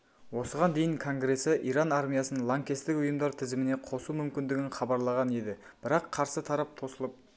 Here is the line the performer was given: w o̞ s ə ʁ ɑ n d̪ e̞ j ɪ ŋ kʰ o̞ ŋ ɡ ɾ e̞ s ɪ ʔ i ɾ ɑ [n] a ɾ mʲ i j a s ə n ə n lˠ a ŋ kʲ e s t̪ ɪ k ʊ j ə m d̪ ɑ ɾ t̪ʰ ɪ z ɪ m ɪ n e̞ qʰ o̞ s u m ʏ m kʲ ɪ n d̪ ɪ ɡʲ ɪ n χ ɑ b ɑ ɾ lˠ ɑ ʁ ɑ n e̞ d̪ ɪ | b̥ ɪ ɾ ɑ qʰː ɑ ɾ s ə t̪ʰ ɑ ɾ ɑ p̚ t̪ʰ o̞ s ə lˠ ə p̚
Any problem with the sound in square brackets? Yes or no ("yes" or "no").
no